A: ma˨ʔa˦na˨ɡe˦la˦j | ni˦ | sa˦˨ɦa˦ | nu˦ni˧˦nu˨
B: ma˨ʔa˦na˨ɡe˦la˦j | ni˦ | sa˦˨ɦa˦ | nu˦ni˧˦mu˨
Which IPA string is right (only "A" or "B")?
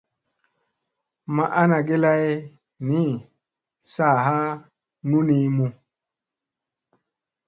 B